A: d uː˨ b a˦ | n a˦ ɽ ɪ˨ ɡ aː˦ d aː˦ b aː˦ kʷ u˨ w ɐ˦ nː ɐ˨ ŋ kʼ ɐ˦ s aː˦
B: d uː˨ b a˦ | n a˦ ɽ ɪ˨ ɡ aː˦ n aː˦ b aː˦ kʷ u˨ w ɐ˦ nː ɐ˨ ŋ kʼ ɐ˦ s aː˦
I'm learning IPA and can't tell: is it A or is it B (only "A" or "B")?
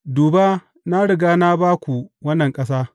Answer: B